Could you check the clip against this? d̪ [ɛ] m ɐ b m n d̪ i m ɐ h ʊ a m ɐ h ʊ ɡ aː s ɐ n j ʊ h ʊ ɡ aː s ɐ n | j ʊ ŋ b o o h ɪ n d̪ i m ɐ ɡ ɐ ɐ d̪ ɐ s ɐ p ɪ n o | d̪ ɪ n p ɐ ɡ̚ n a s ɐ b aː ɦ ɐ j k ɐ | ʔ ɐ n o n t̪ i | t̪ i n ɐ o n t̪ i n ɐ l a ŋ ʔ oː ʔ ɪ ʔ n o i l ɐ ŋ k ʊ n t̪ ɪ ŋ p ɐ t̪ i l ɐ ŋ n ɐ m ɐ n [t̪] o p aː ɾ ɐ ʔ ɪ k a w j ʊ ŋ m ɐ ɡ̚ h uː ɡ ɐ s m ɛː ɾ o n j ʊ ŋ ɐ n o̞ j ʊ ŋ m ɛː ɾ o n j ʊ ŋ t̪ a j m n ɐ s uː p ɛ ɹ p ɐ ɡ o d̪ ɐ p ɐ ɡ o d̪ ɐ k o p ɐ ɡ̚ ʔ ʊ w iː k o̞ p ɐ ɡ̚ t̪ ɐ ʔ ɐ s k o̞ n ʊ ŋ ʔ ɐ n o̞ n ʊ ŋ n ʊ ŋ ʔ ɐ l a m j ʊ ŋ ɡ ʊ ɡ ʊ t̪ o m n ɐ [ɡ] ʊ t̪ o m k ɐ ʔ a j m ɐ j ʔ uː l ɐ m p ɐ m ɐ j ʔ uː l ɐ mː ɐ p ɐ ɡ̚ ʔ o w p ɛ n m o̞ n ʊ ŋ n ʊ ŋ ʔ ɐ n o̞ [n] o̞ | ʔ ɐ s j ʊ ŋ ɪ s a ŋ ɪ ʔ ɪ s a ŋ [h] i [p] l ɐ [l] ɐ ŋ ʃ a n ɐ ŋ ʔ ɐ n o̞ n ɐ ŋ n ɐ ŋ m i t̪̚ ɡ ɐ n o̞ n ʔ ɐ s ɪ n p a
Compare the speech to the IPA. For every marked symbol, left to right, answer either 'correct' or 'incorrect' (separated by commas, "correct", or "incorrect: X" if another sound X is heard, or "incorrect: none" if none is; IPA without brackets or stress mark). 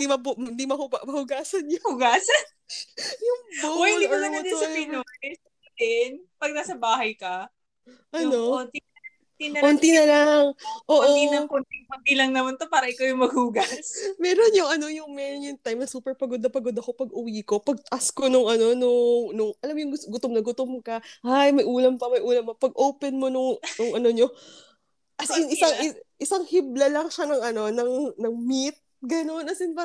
incorrect: i, correct, correct, incorrect: ɲ, correct, incorrect: b, correct